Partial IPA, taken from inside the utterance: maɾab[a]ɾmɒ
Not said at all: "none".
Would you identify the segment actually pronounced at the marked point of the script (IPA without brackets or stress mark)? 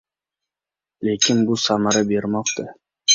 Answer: e